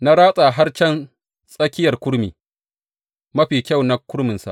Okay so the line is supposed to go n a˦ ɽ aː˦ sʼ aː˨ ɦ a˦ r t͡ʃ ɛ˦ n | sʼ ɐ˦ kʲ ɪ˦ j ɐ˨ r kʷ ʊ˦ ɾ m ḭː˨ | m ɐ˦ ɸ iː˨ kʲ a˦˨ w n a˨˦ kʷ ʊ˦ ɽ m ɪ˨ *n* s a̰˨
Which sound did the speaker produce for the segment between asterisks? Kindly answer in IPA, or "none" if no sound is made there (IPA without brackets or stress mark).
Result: n